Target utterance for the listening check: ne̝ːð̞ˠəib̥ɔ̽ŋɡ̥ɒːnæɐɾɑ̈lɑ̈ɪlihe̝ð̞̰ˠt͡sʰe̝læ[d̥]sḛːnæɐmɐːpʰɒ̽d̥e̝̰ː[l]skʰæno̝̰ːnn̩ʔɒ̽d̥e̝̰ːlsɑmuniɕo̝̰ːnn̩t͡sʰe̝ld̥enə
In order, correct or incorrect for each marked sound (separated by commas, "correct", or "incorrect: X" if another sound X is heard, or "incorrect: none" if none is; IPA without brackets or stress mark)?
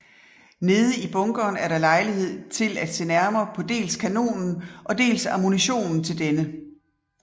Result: correct, correct